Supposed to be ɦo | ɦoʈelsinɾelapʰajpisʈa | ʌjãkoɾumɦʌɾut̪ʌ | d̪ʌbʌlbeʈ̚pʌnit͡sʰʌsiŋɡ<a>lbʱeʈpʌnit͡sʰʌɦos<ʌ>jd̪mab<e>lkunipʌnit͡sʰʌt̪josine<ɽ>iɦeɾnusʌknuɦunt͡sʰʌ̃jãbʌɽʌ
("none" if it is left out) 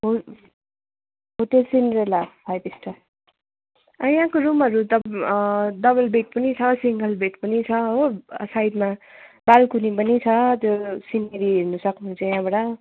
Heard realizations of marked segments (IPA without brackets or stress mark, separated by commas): ʌ, a, a, ɾ